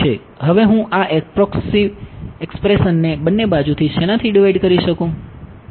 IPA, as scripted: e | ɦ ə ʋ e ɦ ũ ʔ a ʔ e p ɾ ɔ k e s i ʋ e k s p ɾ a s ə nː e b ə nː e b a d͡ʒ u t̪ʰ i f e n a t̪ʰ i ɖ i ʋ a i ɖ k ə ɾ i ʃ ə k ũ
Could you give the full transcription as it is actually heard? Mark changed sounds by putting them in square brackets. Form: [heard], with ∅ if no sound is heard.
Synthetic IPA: e | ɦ ə ʋ e ɦ ũ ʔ a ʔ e p ɾ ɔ k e s i ʋ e k s p ɾ [e] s ə nː e b ə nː e b a d͡ʒ u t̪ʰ i [ʃ] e n a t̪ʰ i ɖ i ʋ a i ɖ k ə ɾ i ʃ ə k ũ